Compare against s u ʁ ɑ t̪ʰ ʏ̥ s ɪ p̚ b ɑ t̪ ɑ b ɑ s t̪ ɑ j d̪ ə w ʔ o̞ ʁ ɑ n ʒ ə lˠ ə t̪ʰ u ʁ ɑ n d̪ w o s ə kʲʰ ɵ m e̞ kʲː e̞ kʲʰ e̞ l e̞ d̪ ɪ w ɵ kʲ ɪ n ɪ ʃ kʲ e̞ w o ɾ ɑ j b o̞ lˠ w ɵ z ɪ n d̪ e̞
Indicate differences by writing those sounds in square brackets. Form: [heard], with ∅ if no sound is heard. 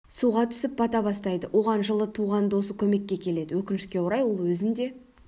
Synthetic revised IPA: s u ʁ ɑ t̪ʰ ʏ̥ s ɪ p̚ b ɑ t̪ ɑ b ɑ s t̪ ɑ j d̪ ə w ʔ o̞ ʁ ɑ n ʒ ə lˠ ə t̪ʰ u ʁ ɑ n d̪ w o s ə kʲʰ ɵ m e̞ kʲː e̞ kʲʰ e̞ l e̞ d̪ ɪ w ɵ kʲ ɪ n ɪ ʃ kʲ e̞ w o ɾ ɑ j [w] o̞ lˠ w ɵ z ɪ n d̪ e̞